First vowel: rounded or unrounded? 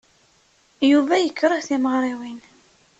rounded